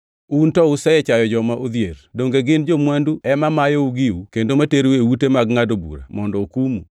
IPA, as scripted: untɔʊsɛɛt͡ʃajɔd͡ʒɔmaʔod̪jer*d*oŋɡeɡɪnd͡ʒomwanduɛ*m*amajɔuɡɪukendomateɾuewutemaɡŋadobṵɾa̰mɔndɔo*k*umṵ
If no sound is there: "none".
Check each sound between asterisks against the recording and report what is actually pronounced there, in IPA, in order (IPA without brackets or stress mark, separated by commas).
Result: d, m, k